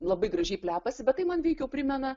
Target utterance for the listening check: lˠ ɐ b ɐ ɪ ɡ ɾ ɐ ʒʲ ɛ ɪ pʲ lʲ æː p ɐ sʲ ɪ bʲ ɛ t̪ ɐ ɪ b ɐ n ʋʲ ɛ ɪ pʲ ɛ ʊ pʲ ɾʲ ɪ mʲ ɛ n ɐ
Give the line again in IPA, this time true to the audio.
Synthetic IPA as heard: lˠ ɐ b ɐ ɪ ɡ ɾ ɐ ʒʲ ɛ ɪ pʲ lʲ æː p ɐ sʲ ɪ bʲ ɛ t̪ ɐ ɪ m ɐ n ʋʲ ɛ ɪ kʲ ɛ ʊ pʲ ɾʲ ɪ mʲ ɛ n ɐ